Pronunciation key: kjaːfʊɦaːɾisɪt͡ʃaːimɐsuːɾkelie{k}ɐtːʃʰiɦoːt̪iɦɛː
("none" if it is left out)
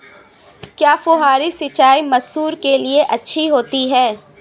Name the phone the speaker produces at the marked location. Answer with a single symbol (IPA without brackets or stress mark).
ʔ